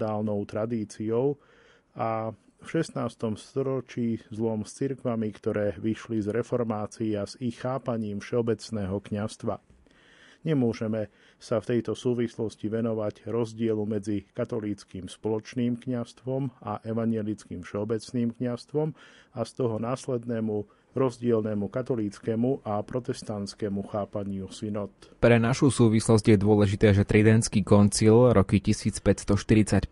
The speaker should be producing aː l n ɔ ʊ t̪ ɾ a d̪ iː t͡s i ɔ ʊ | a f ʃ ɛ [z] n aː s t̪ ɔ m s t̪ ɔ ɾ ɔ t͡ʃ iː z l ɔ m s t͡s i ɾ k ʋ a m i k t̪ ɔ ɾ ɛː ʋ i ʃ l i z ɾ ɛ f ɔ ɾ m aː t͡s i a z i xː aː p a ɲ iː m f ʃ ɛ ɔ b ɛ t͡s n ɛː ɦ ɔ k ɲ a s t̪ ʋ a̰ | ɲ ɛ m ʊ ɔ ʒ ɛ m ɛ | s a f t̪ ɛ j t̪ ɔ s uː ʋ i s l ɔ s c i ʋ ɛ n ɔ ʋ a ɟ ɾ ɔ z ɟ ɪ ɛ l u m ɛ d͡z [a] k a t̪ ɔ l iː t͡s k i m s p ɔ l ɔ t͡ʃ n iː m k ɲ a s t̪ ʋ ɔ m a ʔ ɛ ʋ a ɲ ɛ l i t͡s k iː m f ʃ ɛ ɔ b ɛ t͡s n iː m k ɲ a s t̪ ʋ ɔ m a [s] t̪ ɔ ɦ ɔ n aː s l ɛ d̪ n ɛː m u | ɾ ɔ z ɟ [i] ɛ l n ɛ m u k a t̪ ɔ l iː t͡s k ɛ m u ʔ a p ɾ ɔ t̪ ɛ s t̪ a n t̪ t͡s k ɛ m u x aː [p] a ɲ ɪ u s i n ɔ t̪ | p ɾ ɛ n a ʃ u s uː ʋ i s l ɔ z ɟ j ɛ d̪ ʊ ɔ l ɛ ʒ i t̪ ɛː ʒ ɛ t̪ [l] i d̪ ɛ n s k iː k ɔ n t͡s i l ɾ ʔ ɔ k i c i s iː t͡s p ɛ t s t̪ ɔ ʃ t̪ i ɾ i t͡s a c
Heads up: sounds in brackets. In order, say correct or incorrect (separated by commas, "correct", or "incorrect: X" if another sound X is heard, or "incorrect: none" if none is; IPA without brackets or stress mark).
incorrect: s, incorrect: i, correct, incorrect: ɪ, correct, incorrect: ɾ